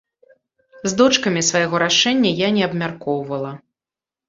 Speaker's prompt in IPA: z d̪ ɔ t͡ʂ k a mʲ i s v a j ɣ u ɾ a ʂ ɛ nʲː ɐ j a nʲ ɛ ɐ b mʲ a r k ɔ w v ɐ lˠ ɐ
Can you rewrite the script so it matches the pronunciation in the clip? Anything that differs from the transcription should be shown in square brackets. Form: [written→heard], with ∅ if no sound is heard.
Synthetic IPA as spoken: z d̪ ɔ t͡ʂ k [a→ɐ] mʲ i s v a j ɣ [u→ɔ] ɾ a ʂ ɛ nʲː ɐ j a nʲ ɛ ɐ b mʲ a r k ɔ w v ɐ lˠ ɐ